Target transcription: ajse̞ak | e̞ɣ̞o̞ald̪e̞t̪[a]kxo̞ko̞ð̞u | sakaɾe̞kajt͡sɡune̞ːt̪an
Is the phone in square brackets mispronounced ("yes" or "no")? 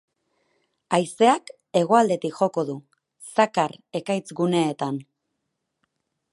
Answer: yes